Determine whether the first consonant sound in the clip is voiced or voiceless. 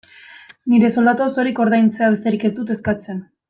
voiced